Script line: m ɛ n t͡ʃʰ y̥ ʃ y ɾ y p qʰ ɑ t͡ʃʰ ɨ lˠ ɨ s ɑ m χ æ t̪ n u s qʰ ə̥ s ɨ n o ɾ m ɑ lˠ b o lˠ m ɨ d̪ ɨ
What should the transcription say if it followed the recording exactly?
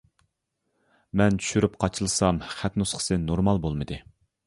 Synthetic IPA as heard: m ɛ n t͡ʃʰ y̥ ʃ y ɾ y p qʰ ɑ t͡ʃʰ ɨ lˠ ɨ s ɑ m χ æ t̪ n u s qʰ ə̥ s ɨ n o ɾ m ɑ lˠ b o lˠ m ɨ d̪ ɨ